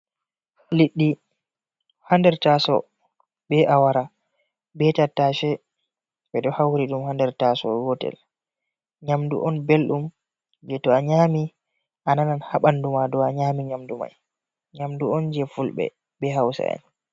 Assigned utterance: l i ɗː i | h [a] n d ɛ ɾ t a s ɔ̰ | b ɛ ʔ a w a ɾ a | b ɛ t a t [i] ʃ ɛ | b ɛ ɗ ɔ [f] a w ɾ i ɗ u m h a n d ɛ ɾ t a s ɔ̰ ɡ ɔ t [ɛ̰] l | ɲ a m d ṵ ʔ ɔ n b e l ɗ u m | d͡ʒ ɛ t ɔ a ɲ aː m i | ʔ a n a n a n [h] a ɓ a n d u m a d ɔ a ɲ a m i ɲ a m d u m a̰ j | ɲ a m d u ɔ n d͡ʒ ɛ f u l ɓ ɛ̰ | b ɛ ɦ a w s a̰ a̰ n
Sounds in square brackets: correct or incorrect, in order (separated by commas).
correct, incorrect, incorrect, correct, correct